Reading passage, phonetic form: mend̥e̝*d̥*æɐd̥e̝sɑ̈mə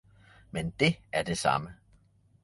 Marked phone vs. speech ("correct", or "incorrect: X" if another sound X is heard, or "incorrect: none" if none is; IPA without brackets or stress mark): incorrect: none